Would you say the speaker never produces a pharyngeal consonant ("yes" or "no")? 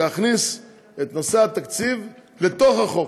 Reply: yes